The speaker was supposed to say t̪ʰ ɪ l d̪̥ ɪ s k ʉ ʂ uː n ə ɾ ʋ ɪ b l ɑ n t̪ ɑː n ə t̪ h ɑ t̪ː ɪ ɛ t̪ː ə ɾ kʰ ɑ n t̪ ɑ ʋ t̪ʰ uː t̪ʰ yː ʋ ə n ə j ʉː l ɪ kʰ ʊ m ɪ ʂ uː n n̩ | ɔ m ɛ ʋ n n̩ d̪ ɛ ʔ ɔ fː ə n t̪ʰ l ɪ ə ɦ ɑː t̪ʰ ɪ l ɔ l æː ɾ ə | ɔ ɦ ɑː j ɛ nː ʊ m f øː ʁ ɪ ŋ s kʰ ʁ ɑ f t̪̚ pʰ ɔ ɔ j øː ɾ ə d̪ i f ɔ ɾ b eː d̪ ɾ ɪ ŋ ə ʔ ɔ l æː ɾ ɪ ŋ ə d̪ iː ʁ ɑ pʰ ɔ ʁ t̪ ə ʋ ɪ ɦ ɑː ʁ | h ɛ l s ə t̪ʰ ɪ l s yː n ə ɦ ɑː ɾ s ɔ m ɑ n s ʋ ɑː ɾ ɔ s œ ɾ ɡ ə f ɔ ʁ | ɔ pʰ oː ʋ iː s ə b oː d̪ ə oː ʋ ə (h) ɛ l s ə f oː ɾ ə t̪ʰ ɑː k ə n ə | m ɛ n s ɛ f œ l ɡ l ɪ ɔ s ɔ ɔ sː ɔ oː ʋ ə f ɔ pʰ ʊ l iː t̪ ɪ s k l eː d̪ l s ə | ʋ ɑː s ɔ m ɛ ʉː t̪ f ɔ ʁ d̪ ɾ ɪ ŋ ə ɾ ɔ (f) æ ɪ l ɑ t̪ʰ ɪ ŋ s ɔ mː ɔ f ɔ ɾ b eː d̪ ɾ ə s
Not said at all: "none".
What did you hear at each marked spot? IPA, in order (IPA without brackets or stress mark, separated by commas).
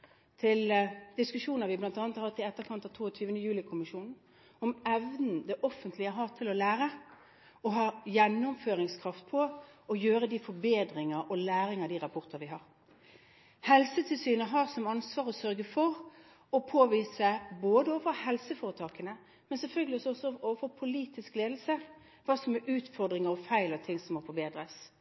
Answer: h, f